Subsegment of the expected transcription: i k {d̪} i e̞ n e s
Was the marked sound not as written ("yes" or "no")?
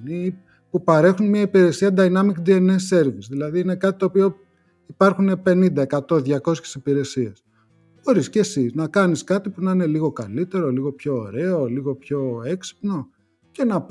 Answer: no